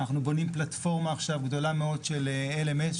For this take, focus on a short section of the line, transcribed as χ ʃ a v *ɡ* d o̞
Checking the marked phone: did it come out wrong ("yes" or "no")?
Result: no